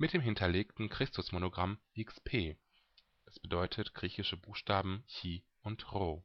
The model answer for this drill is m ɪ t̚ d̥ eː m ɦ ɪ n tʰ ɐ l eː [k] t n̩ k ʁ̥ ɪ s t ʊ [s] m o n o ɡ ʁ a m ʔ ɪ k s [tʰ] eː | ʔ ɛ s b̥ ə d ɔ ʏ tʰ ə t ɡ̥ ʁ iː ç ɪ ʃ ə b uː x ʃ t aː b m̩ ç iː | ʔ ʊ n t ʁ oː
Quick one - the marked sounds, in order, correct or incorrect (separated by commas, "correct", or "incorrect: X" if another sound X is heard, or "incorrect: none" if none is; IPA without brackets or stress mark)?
correct, correct, incorrect: pʰ